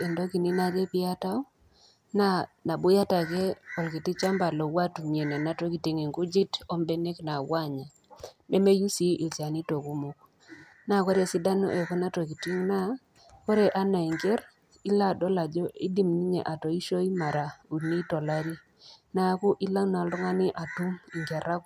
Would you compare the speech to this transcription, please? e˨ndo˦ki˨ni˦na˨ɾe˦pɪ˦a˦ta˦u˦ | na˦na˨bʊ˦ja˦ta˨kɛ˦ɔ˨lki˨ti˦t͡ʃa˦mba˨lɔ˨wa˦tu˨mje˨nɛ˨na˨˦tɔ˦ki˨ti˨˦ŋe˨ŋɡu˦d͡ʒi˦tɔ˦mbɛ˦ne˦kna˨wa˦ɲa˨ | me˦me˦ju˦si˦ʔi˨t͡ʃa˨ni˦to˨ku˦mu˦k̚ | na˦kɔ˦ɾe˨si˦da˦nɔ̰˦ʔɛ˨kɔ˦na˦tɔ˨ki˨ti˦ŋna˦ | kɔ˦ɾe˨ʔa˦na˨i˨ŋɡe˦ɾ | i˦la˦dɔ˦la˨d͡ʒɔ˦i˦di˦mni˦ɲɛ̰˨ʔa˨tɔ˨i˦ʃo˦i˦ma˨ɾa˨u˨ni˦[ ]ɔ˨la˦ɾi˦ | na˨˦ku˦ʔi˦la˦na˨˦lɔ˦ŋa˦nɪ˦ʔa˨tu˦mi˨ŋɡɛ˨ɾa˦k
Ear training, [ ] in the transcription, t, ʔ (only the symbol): t